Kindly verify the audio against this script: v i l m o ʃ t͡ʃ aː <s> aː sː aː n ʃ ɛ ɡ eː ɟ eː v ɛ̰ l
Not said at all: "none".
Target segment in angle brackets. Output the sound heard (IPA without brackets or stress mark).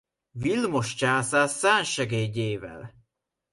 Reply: s